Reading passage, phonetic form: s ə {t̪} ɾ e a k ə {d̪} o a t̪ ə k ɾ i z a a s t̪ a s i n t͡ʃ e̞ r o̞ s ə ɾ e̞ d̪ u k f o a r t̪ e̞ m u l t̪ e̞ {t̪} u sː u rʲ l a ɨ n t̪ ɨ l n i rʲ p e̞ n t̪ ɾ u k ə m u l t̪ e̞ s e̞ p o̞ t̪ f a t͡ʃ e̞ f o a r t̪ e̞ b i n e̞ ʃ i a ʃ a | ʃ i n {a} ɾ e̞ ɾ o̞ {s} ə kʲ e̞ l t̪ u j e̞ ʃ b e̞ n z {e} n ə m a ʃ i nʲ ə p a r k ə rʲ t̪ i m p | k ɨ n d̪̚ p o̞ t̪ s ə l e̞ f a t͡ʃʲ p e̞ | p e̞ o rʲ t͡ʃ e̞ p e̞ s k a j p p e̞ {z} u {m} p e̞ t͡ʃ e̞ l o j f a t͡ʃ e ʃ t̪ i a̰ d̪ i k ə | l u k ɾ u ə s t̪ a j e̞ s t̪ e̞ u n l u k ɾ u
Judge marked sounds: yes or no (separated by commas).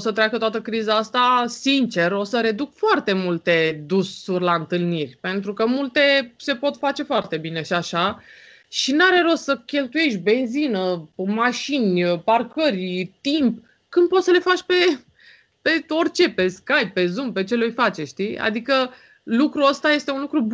yes, no, no, yes, yes, no, yes, yes